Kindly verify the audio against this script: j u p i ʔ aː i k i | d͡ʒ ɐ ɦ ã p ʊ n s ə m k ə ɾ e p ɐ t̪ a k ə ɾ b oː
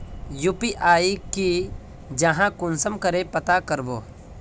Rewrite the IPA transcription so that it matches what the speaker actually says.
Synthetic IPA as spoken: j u p i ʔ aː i k i | d͡ʒ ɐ ɦ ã k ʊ n s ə m k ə ɾ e p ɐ t̪ a k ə ɾ b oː